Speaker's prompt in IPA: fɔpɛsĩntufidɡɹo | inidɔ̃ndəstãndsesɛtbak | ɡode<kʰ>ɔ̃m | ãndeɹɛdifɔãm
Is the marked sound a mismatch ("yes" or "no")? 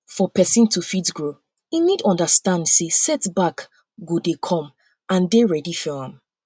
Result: no